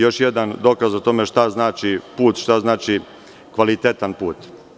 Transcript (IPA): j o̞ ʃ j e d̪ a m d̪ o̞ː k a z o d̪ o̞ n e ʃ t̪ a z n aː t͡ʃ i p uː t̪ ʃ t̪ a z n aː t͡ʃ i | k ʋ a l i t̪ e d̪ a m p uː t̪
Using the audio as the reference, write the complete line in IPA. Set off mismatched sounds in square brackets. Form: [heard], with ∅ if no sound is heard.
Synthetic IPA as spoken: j o̞ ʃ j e d̪ a [n] d̪ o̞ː k a z o [t̪] o̞ [m] e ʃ t̪ a z n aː t͡ʃ i p uː t̪ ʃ t̪ a z n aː t͡ʃ i | k ʋ a l i t̪ e [t̪] a [n] p uː t̪